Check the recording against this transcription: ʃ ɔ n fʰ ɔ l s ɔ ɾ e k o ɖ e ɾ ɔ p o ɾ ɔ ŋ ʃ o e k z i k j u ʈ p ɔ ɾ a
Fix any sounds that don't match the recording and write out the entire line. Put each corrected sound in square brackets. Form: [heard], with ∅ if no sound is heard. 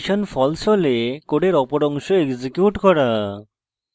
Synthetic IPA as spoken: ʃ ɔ n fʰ ɔ l s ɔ [l] e k o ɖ e ɾ ɔ p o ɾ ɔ ŋ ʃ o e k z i k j u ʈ [k] ɔ ɾ a